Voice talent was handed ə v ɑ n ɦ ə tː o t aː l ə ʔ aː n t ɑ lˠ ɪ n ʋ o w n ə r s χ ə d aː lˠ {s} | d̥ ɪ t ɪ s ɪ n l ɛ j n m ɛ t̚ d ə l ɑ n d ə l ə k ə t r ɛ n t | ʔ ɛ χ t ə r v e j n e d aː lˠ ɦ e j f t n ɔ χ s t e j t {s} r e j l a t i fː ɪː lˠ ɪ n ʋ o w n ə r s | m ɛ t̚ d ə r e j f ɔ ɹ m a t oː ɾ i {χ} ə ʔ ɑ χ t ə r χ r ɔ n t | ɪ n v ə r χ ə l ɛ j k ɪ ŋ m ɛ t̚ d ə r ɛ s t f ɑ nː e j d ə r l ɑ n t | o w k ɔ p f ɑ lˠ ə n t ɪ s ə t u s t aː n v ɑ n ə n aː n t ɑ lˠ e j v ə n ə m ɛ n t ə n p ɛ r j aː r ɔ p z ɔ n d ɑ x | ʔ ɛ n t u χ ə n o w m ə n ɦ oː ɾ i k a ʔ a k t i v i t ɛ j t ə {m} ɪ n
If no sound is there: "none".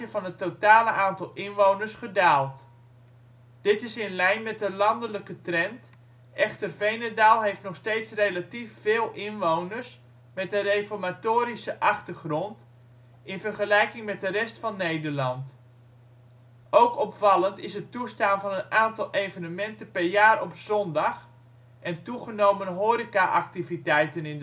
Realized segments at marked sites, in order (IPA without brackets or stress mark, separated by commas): t, s, s, n